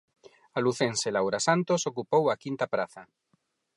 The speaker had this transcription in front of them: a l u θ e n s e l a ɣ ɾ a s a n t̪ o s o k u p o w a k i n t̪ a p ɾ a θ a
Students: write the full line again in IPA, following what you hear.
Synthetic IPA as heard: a l u θ e n s e l a w ɾ a s a n t̪ o s o k u p o w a k i n t̪ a p ɾ a θ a